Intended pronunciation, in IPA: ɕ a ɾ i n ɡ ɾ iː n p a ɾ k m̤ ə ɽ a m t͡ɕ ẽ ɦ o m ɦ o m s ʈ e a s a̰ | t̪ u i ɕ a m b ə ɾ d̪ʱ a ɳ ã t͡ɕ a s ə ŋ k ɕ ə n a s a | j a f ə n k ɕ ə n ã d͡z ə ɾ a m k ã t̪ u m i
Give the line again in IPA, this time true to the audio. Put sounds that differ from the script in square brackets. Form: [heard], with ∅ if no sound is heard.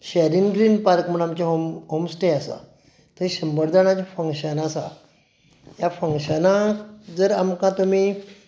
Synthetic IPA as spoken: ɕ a ɾ i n ɡ ɾ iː n p a ɾ k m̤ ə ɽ a m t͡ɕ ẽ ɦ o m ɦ o m s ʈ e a s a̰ | t̪ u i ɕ [ə] m b ə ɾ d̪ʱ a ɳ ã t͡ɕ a [f] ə ŋ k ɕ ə n a s a | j a f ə [ŋ] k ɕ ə n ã d͡z ə ɾ a m k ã t̪ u m i